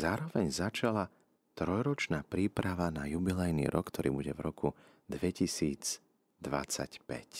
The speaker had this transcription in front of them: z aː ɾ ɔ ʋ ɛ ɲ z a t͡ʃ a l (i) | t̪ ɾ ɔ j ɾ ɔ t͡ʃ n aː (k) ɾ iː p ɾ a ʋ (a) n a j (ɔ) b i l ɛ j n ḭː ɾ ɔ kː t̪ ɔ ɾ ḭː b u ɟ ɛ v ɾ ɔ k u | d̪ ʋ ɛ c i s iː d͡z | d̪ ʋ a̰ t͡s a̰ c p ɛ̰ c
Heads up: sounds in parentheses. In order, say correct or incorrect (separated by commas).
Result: incorrect, incorrect, correct, incorrect